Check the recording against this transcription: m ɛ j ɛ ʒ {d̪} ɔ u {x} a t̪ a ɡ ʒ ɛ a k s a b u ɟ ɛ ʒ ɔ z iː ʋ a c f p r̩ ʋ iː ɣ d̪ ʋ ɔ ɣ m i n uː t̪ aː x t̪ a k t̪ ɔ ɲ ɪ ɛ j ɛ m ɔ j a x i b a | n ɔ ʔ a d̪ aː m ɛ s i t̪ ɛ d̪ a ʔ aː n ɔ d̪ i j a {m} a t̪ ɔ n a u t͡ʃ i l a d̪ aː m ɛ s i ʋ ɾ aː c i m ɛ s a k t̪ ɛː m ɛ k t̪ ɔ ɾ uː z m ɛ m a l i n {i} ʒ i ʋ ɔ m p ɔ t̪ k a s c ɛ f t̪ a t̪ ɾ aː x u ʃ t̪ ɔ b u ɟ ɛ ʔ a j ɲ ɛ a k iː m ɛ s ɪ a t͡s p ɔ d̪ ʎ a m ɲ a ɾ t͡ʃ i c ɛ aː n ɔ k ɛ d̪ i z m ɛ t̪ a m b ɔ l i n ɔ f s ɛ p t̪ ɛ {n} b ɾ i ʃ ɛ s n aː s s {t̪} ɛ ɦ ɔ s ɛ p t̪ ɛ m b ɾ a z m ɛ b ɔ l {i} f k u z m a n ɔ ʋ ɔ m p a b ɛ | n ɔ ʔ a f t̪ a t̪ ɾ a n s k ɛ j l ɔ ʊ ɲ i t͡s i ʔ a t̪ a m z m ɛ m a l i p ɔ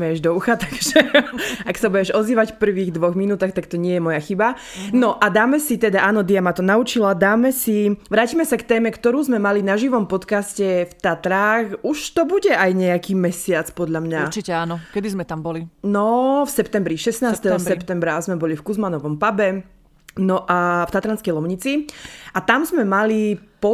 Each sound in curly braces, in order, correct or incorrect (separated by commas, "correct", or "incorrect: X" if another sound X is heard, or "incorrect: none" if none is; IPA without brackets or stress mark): correct, correct, correct, incorrect: a, incorrect: m, correct, correct